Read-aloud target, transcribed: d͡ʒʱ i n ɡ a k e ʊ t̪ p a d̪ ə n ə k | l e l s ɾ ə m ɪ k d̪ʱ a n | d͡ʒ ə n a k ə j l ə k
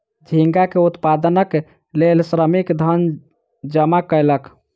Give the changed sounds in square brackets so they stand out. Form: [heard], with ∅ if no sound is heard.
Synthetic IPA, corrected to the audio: d͡ʒʱ i [ŋ] ɡ a k e [u] t̪ p a d̪ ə n ə k | l e l s ɾ ə m [i] k d̪ʱ [ə] n | d͡ʒ ə [m] a k ə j l ə k